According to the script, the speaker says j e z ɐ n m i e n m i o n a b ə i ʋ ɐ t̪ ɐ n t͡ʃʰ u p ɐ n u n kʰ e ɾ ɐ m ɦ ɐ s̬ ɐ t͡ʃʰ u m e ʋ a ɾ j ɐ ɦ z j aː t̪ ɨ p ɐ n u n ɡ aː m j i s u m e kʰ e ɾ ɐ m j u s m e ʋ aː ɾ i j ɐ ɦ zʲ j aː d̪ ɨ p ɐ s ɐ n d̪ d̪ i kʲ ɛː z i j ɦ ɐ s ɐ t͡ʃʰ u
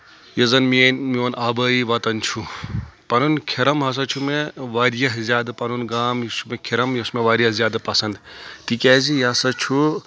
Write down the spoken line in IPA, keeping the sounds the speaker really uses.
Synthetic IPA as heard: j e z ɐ n m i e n m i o n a b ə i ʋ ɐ t̪ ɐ n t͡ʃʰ u p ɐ n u n kʰ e ɾ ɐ m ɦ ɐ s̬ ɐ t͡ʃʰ u m e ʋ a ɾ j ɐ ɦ z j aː d̪ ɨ p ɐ n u n ɡ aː m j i s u m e kʰ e ɾ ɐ m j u s m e ʋ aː ɾ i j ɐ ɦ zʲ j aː d̪ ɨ p ɐ s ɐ n d̪ t̪ i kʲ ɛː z i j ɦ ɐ s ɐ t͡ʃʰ u